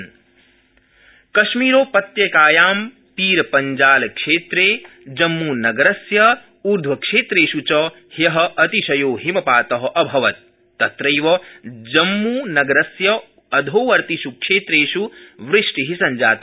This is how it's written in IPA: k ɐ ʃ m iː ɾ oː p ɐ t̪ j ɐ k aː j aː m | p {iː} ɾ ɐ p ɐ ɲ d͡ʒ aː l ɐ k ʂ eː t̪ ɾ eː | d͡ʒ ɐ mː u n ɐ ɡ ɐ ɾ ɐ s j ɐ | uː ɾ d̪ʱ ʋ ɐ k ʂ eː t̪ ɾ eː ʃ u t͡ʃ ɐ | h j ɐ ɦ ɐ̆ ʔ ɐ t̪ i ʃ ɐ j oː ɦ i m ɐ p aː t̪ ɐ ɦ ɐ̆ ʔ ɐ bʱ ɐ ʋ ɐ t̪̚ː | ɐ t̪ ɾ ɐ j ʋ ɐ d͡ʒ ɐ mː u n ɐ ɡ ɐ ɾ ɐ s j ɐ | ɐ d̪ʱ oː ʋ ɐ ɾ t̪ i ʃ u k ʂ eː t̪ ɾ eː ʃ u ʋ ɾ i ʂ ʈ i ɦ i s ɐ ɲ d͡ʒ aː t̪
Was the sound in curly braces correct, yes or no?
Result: yes